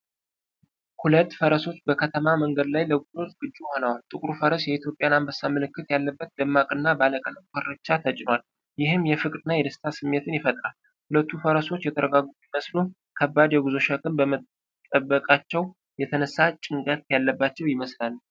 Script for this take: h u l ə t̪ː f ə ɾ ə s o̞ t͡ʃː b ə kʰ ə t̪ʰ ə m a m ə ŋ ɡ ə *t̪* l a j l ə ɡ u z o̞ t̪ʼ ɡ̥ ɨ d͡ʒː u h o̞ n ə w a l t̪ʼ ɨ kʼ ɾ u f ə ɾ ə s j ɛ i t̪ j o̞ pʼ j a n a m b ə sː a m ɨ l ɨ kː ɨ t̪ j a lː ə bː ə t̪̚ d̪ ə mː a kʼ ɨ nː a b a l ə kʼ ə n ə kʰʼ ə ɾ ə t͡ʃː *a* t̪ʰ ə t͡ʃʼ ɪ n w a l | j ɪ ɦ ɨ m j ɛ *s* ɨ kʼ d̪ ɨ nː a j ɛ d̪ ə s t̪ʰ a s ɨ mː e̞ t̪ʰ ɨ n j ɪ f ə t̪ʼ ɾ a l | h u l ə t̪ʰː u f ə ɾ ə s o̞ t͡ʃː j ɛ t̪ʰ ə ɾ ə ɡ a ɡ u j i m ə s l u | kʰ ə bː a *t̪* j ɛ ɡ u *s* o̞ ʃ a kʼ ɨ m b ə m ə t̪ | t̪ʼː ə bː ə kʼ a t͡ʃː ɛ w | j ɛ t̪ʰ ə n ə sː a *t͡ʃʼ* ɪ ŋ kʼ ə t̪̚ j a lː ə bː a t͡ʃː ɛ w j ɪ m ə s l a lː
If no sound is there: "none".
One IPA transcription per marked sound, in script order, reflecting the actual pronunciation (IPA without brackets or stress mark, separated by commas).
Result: d̪, a, f, d̪, z, t͡ʃʼ